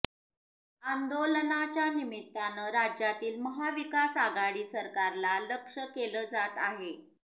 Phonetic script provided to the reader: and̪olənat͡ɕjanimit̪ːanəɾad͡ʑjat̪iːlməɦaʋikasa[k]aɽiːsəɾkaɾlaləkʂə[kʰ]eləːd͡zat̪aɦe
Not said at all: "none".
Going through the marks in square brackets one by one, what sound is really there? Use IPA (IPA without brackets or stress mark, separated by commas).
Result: ɡ, k